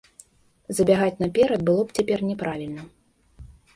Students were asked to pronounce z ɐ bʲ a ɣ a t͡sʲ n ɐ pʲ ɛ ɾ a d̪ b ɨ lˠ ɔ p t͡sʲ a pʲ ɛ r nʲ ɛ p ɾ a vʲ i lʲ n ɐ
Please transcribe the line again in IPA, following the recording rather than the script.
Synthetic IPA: z ɐ bʲ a ɣ a t͡sʲ n ɐ pʲ ɛ ɾ ɐ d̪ b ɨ lˠ ɔ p t͡sʲ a pʲ ɛ r nʲ ɛ p ɾ a vʲ i lʲ n ɐ

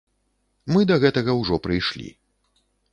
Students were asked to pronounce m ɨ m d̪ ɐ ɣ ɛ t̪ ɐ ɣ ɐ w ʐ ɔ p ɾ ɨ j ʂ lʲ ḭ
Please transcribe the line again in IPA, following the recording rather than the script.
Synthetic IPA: m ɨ d̪ ɐ ɣ ɛ t̪ ɐ ɣ ɐ w ʐ ɔ p ɾ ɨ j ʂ lʲ ḭ

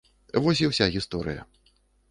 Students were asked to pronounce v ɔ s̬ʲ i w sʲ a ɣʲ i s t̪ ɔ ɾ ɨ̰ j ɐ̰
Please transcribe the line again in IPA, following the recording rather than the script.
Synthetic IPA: v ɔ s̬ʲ i w sʲ a ɣʲ i s t̪ ɔ ɾ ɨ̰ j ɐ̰

